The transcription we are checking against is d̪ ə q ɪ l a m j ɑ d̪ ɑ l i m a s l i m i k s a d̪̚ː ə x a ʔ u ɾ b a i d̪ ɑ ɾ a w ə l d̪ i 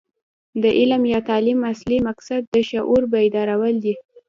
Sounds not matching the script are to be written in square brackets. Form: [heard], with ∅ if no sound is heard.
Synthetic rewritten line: d̪ ə [ʔ] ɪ l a m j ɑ [t̪] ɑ l i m a s l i m [a] k s a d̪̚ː ə [ʃ] a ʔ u ɾ b a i d̪ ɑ ɾ a w ə l d̪ i